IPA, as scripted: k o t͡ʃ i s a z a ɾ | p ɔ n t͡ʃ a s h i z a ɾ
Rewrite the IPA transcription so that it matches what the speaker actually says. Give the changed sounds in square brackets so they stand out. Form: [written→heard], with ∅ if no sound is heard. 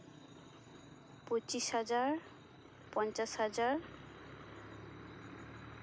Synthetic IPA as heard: [k→p] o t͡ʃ i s a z a [ɾ→ɹ] | p ɔ n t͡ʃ a s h [i→a] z a [ɾ→ɹ]

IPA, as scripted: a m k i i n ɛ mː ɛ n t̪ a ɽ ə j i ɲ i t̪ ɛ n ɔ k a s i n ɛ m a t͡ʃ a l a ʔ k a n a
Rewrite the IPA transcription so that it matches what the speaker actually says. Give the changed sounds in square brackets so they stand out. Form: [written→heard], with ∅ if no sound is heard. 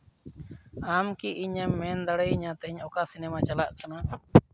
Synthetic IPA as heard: a m k i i [n→ɲ] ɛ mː ɛ n [t̪→d̪] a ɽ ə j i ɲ [i→a] t̪ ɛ [n→ɲ] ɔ k a s i n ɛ m a t͡ʃ a l a ʔ k a n a

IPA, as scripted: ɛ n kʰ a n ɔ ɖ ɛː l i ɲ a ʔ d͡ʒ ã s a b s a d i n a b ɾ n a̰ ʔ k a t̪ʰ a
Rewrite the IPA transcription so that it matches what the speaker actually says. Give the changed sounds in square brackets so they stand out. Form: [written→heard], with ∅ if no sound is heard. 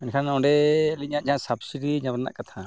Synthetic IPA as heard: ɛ n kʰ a n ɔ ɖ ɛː l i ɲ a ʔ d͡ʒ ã s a b s [a→i] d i [n→ɲ] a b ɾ n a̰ ʔ k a t̪ʰ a

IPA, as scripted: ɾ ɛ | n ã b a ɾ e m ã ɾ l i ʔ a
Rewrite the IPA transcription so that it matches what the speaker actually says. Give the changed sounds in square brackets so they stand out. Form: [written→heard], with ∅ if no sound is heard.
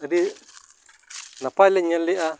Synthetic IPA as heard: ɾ [ɛ→i] | n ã [b→p] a [ɾ→l] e [m→ɲ] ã [ɾ→∅] l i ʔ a

